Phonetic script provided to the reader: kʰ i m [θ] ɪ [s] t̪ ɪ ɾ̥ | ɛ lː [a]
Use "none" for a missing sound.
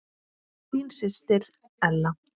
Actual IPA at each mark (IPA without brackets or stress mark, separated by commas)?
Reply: s, s, a